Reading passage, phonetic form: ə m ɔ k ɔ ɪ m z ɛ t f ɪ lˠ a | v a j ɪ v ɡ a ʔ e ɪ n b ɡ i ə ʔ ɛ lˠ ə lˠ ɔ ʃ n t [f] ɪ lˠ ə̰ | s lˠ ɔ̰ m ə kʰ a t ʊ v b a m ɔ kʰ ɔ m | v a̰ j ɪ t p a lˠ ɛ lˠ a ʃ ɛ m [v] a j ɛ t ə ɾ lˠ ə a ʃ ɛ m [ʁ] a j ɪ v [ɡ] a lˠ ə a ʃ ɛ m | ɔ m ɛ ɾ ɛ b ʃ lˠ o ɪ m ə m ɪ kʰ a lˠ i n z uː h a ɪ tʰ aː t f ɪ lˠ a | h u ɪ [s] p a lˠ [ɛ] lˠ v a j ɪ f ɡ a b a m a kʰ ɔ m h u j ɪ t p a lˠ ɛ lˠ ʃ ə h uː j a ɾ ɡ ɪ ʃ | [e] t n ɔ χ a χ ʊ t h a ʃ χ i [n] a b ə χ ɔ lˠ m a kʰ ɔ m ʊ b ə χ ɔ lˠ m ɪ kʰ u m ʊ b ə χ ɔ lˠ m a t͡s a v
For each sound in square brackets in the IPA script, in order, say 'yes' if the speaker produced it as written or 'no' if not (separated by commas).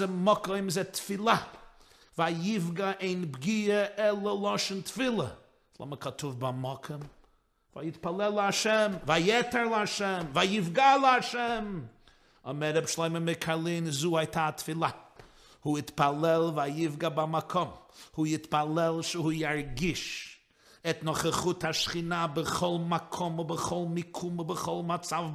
yes, yes, no, yes, no, yes, no, yes